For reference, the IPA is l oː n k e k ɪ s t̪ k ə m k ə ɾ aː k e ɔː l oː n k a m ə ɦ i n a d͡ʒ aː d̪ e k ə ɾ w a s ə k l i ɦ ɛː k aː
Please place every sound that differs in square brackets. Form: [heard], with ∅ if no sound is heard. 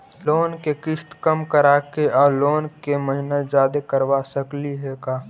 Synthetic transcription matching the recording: l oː n k e k ɪ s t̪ k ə m k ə ɾ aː k e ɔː l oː n k [e] m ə ɦ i n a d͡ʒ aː d̪ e k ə ɾ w a s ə k l i ɦ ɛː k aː